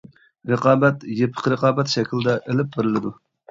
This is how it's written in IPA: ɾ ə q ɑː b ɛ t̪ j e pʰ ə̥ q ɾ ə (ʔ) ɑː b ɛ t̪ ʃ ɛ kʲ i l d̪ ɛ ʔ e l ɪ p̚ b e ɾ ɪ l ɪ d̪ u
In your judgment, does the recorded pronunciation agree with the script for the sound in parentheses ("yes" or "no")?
no